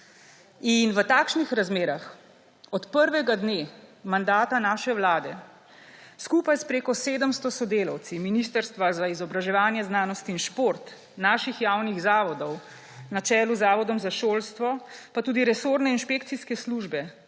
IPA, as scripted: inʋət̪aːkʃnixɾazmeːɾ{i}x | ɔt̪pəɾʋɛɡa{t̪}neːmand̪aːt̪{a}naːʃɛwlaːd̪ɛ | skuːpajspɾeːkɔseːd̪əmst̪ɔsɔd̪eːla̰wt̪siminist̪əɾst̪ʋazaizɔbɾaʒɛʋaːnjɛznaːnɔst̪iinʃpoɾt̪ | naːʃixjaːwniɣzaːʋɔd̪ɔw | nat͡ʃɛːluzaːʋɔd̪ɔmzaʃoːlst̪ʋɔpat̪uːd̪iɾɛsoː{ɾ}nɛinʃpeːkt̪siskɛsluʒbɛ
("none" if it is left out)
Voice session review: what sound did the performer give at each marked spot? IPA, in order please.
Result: a, d̪, a, ɾ

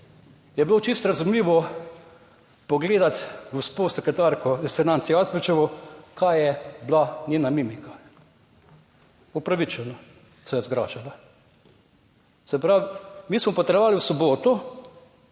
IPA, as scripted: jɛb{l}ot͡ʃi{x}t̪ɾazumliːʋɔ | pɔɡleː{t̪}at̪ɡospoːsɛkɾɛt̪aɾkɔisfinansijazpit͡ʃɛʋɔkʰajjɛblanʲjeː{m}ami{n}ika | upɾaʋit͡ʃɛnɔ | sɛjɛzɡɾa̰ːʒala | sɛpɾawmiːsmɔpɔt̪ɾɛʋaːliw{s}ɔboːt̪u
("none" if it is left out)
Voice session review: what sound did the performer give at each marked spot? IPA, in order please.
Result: l, s, d̪, n, m, s

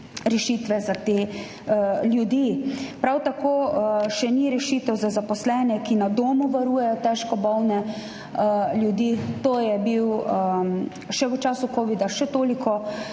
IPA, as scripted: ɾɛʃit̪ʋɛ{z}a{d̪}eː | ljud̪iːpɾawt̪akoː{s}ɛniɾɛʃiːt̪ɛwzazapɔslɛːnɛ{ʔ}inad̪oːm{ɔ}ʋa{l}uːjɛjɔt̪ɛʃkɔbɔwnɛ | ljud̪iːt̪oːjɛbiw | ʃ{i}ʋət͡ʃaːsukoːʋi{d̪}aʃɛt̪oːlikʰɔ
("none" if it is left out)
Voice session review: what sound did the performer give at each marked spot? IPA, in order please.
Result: z, t̪, ʃ, k, u, ɾ, ɛ, d̪

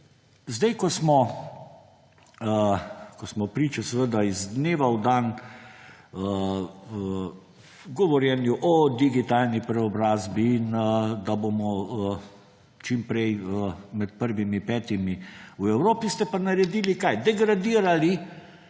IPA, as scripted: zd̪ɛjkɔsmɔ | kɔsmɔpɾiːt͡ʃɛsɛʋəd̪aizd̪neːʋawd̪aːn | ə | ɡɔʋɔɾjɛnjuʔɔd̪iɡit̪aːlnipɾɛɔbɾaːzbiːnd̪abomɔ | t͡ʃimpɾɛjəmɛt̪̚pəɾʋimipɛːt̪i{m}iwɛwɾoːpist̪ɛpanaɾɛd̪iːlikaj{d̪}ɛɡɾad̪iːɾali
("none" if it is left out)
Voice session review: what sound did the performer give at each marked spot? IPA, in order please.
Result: m, d̪

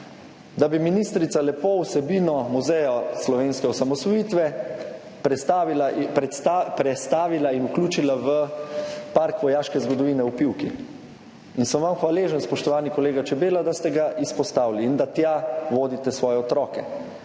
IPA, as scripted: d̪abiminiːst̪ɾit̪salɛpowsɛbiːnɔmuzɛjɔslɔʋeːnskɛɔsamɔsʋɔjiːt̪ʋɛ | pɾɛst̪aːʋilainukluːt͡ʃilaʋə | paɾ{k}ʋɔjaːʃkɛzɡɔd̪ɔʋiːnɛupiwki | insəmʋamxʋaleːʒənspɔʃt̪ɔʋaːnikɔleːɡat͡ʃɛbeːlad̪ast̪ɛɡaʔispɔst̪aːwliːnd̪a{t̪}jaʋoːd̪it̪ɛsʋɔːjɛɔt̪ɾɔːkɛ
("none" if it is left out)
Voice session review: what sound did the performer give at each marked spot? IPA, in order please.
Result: k, t̪

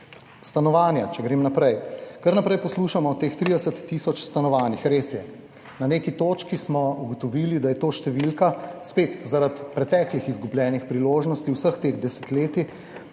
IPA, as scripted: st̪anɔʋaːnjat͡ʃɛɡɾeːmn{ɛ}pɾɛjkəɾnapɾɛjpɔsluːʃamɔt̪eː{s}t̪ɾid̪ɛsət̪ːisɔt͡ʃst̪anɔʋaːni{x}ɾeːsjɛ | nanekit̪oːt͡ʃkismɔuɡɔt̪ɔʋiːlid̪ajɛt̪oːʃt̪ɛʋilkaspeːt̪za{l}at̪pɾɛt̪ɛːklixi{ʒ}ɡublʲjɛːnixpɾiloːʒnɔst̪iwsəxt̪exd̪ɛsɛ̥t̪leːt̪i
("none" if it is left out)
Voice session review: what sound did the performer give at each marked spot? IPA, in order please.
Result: a, x, x, ɾ, z

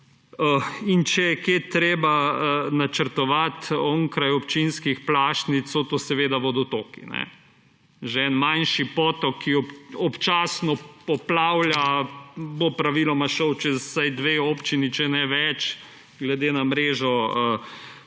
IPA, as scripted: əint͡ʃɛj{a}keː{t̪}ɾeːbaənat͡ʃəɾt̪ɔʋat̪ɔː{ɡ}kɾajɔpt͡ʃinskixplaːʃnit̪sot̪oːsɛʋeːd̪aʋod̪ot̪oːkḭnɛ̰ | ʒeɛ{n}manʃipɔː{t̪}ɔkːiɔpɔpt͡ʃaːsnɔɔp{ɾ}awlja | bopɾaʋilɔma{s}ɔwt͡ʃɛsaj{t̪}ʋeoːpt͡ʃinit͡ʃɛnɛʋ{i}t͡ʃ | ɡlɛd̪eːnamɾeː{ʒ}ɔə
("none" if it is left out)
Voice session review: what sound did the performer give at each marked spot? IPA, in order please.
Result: ɛ, t̪, ŋ, n, t̪, l, ʃ, d̪, ɛ, ʒ

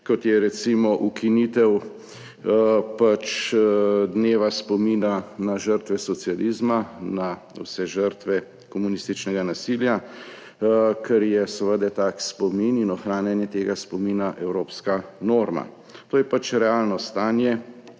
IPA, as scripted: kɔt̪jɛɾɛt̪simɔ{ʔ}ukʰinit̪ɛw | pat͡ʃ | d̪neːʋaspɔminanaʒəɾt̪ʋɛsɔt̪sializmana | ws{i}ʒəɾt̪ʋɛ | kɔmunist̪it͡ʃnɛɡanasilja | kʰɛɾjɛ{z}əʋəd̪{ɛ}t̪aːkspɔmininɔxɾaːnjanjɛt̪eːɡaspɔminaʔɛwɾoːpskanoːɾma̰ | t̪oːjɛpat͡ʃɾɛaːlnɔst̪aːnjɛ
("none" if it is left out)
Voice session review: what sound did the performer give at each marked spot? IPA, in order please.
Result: ʔ, ɛ, s, ɛ

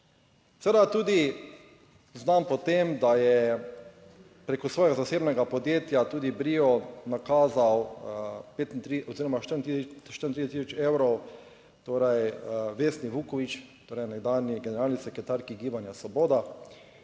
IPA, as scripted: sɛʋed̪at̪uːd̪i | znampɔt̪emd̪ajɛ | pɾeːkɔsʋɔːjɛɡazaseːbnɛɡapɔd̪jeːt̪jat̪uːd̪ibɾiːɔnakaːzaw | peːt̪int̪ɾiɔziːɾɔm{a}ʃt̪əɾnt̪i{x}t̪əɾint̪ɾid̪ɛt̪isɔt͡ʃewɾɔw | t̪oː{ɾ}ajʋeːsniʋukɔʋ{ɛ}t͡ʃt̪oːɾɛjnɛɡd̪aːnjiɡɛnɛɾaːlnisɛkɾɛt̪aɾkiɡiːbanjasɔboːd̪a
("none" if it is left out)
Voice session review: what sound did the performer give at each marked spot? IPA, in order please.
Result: a, ʃ, ɾ, i

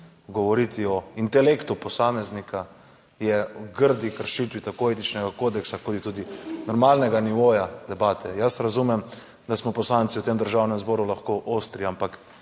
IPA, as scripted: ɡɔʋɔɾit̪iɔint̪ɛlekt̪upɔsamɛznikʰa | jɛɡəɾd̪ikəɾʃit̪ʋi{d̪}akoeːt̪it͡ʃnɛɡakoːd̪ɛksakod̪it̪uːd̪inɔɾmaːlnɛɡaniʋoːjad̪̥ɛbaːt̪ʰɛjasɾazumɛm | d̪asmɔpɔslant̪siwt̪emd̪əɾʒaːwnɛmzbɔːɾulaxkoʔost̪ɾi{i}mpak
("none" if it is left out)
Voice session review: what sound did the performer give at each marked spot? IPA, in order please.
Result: t̪, a

